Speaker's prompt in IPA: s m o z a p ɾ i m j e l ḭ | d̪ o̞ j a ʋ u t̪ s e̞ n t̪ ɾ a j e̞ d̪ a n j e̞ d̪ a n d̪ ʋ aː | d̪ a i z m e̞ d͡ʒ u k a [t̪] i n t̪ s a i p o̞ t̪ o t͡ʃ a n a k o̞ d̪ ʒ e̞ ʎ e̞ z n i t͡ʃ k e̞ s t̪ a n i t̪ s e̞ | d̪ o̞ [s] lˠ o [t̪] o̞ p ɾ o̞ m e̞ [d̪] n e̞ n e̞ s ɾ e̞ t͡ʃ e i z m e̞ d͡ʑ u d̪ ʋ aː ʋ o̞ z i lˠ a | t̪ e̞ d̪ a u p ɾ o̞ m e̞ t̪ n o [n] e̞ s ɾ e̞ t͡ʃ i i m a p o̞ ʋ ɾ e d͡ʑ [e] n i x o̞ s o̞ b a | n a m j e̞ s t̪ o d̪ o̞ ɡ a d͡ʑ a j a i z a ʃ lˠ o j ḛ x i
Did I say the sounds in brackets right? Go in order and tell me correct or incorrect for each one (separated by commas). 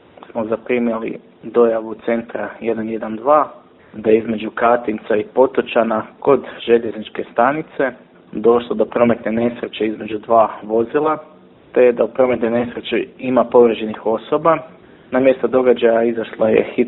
correct, incorrect, incorrect, incorrect, correct, correct